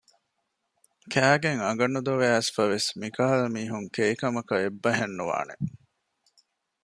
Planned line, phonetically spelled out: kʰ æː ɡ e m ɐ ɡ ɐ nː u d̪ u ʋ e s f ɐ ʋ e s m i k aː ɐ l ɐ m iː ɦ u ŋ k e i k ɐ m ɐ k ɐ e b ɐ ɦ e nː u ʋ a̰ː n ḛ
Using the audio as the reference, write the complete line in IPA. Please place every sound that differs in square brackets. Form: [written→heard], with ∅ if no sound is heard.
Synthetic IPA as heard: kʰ æː ɡ e [m→ŋ] ɐ ɡ ɐ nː u d̪ [u→o] ʋ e s f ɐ ʋ e s m i k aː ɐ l ɐ m iː ɦ u ŋ k e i k ɐ m ɐ k ɐ e [b→bː] ɐ ɦ e nː u ʋ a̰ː n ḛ

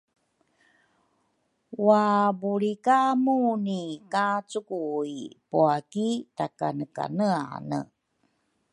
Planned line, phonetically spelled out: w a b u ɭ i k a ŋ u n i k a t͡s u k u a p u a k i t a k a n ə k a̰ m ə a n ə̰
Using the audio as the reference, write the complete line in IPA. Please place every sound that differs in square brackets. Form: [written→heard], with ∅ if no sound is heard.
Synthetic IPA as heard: w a b u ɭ i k a [ŋ→m] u n i k a t͡s u k u [a→i] p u a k i t a k a n ə k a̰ [m→n] ə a n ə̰

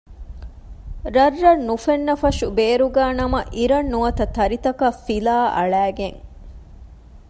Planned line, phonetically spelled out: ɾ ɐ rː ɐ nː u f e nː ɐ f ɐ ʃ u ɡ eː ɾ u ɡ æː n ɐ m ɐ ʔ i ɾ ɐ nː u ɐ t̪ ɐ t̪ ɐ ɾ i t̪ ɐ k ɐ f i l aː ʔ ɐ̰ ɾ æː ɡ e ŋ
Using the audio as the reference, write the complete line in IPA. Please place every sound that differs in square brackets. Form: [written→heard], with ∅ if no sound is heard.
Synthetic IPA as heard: ɾ ɐ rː ɐ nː u f e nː ɐ f ɐ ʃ u [ɡ→b] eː ɾ u ɡ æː n ɐ m ɐ ʔ i ɾ ɐ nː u ɐ t̪ ɐ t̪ ɐ ɾ i t̪ ɐ k ɐ f i l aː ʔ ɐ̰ [ɾ→ɭ] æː ɡ e ŋ

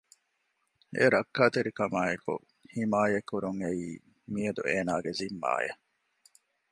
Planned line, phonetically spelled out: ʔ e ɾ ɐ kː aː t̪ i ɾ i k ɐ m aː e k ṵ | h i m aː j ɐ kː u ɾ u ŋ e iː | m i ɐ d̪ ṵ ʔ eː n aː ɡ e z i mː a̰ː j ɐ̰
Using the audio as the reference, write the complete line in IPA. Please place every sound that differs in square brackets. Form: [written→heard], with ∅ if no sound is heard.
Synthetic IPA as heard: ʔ e ɾ ɐ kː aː t̪ [i→e] ɾ i k ɐ m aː e k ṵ | h i m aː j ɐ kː u ɾ u ŋ e iː | m i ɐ d̪ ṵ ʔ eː n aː ɡ e z i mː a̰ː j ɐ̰

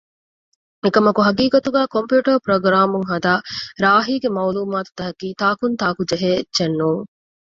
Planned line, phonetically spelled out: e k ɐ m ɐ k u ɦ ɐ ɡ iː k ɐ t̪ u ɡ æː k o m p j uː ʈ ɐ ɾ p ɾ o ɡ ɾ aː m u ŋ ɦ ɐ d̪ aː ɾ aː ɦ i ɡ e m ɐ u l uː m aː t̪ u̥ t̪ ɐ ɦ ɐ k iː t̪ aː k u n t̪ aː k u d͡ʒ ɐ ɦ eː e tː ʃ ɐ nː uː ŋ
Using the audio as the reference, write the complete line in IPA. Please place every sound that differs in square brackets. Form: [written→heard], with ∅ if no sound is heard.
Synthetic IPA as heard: e k ɐ m ɐ k u ɦ ɐ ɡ iː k ɐ t̪ u ɡ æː k o m p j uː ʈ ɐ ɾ p ɾ o ɡ ɾ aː m u ŋ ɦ ɐ d̪ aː ɾ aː ɦ [i→iː] ɡ e m ɐ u l uː m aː t̪ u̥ t̪ ɐ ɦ ɐ k iː t̪ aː k u n t̪ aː k u d͡ʒ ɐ ɦ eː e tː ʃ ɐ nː uː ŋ

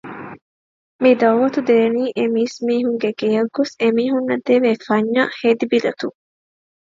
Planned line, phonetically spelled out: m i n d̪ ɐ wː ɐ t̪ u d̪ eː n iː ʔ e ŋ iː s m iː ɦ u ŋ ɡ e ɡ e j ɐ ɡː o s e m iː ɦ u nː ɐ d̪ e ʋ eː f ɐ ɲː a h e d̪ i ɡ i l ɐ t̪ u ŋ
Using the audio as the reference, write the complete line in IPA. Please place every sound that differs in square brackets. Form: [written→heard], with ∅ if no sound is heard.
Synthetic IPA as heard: m i [n→∅] d̪ ɐ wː ɐ t̪ u d̪ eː n iː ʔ e [ŋ→m] iː s m iː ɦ u ŋ ɡ e ɡ e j ɐ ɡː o s e m iː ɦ u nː ɐ d̪ e ʋ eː f ɐ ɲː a h e d̪ i [ɡ→b] i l ɐ t̪ u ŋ

